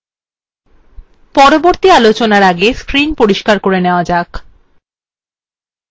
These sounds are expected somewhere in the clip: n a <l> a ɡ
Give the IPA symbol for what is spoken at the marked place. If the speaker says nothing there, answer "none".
ɾ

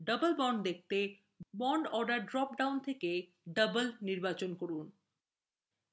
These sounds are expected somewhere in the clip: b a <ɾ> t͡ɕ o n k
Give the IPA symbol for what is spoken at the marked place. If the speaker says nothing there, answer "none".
none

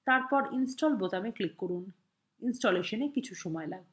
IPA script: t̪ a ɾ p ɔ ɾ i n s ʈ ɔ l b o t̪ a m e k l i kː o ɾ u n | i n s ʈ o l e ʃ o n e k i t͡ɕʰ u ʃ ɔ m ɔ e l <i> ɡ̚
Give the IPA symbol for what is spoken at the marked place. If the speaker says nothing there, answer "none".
a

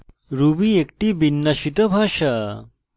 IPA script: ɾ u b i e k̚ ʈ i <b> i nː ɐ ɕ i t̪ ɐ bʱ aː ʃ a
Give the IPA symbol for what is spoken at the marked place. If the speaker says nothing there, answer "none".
b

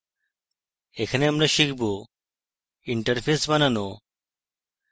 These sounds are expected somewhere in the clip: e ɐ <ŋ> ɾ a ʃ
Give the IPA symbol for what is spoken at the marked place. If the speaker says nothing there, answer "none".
m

